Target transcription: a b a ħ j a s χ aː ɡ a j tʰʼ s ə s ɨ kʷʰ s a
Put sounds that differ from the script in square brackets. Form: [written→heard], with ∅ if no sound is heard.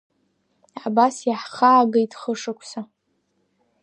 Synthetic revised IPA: a b a [ħ→s] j a [s→ħ] χ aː ɡ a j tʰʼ [s→χ] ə [s→ʂ] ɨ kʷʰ s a